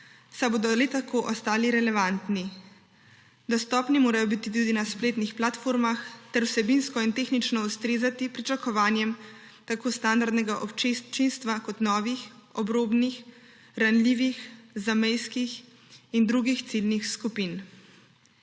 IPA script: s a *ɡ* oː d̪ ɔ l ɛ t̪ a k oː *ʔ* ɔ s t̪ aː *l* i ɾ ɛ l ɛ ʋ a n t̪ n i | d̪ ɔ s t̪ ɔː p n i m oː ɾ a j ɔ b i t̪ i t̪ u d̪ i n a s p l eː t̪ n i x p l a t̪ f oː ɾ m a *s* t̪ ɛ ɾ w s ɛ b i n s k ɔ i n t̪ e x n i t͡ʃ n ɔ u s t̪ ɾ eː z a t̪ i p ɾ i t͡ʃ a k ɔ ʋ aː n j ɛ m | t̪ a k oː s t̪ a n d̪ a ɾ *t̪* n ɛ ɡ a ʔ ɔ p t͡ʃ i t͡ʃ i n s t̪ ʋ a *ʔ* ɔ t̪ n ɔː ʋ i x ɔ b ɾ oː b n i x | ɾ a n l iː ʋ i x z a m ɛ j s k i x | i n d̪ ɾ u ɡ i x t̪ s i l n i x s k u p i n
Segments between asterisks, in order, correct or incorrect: incorrect, correct, correct, incorrect, incorrect, incorrect

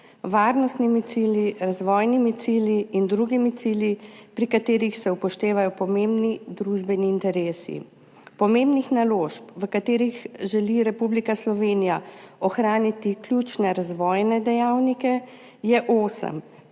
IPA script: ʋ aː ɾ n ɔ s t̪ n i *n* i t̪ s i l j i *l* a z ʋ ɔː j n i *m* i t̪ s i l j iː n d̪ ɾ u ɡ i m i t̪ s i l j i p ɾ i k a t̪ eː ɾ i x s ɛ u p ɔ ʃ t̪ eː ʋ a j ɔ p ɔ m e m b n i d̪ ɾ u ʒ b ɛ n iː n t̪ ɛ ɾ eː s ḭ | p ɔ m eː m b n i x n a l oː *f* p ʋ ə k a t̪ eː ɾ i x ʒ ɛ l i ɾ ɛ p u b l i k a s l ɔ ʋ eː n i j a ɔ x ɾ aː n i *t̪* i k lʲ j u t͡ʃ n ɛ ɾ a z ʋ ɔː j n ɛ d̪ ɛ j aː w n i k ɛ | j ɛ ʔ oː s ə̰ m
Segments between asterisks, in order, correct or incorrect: incorrect, incorrect, correct, incorrect, correct

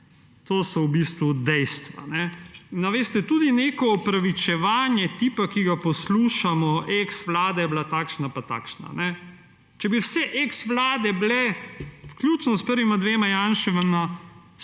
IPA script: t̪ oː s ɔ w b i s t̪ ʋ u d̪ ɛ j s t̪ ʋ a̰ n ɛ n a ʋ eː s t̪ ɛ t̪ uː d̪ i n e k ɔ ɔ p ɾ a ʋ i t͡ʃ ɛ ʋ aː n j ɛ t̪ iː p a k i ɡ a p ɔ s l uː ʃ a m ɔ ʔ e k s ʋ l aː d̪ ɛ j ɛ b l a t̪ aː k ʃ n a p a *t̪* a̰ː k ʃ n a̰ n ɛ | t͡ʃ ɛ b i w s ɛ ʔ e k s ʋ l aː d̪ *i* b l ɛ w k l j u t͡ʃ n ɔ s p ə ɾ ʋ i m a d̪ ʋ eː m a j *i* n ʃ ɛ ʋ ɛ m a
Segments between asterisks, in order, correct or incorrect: correct, incorrect, incorrect

